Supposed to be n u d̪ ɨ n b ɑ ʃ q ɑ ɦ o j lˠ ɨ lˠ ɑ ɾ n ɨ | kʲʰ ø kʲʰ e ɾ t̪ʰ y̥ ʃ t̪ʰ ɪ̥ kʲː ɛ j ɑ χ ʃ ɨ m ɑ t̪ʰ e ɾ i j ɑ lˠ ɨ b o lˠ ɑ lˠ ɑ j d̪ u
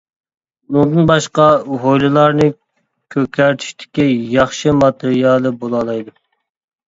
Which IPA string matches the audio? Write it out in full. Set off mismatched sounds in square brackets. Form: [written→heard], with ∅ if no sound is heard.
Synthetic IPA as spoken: n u d̪ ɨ n b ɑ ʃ q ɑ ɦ o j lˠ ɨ lˠ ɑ ɾ n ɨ | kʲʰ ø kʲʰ [e→æ] ɾ t̪ʰ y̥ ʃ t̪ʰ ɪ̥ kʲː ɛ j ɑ χ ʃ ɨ m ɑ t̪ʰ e ɾ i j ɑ lˠ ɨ b o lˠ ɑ lˠ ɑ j d̪ u